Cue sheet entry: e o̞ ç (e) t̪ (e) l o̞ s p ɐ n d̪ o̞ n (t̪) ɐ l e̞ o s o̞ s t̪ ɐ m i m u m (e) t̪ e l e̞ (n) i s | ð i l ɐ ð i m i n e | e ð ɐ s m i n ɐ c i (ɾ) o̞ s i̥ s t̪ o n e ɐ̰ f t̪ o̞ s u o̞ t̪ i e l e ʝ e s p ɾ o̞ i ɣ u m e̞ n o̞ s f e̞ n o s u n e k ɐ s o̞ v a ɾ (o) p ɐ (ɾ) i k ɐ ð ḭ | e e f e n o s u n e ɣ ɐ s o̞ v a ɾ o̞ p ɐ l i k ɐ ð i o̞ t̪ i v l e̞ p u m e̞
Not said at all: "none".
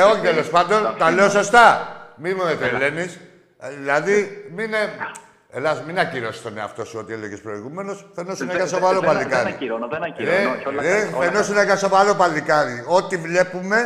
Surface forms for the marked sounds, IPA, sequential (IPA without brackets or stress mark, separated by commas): i, e, t̪, e, n, ɾ, o, l